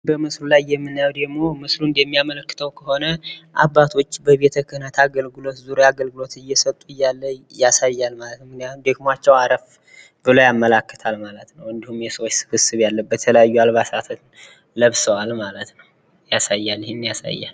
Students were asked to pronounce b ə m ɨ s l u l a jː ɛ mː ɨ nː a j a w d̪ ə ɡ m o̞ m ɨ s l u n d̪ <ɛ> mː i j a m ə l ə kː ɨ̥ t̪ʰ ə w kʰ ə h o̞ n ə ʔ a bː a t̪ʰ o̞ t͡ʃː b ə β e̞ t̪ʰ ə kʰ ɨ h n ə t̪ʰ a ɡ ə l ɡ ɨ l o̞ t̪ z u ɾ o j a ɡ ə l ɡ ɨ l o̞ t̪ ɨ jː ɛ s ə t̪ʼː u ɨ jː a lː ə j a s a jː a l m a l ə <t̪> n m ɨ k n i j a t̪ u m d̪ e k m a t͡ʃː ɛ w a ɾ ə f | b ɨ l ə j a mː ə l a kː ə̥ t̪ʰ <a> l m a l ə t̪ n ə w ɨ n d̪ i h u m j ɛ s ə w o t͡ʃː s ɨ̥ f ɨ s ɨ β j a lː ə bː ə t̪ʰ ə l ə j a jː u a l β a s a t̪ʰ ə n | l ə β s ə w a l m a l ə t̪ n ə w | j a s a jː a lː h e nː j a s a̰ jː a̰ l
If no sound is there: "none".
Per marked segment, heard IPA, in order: ɛ, t̪, a

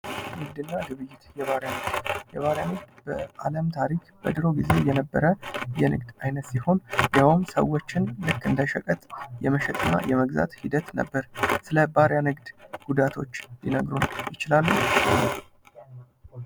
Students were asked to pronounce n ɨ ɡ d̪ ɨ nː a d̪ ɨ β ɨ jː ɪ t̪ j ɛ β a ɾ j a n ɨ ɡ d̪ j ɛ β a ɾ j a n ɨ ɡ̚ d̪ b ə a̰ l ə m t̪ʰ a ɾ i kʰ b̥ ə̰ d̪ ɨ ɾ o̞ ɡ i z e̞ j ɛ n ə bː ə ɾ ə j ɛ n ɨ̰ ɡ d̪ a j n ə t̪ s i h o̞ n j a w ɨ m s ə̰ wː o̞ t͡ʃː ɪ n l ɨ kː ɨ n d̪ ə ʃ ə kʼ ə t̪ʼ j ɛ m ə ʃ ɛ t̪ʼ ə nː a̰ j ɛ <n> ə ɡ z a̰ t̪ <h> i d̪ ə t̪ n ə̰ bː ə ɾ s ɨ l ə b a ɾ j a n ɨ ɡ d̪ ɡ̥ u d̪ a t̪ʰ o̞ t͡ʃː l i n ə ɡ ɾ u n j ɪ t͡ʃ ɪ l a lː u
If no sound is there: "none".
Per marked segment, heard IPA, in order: m, h

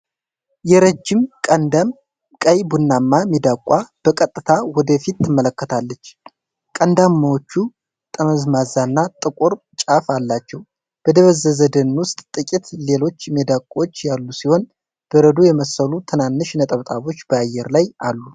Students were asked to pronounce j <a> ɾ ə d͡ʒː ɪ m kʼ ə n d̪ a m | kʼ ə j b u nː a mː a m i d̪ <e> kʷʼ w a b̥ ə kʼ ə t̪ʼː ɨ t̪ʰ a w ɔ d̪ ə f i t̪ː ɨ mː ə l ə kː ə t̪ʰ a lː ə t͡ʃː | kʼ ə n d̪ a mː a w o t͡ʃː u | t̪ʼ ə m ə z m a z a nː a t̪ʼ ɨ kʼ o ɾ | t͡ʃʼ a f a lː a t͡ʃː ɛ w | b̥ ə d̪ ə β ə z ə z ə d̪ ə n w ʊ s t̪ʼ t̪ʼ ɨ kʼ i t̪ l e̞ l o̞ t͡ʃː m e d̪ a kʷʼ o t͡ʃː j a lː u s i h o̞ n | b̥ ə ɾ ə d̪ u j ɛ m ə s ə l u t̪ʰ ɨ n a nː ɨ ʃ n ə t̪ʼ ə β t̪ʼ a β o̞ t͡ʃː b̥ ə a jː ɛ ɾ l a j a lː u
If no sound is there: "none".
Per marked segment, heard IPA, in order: ɛ, a

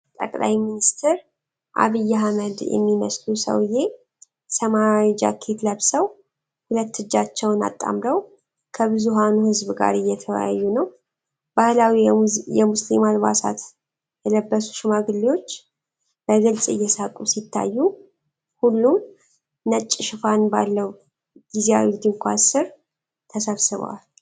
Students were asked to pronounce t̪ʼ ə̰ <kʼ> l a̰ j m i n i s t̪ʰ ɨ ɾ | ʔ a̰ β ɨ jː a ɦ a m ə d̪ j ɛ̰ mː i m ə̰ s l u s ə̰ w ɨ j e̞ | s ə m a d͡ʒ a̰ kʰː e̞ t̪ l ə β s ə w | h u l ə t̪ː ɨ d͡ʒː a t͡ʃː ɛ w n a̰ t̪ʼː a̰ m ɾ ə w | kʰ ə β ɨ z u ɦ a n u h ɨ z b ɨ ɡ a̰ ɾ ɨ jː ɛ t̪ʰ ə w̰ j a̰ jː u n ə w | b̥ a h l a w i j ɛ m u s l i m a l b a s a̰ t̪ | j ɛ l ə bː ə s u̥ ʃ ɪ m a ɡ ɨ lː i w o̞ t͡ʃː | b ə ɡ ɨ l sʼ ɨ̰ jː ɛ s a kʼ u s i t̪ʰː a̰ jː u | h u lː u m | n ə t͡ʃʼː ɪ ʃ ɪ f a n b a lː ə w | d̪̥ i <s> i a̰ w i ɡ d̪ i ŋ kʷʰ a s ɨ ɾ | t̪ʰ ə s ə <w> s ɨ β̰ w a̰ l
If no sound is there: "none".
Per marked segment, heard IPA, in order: kʼ, z, β

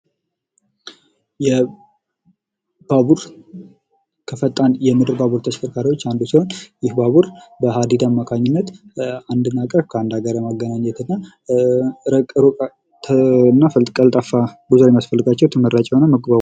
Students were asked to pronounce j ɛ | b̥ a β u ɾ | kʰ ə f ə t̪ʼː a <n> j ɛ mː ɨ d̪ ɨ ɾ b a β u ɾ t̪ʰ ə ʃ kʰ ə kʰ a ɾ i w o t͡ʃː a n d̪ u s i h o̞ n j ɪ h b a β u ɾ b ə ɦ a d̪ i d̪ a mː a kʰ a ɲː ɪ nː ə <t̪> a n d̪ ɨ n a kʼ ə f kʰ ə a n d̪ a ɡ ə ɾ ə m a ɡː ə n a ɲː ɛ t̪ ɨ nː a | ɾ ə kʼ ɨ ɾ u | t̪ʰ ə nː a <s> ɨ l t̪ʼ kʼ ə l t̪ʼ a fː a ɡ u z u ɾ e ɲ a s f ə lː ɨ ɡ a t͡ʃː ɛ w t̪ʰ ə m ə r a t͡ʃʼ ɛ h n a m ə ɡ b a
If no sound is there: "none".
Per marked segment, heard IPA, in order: n, t̪, f

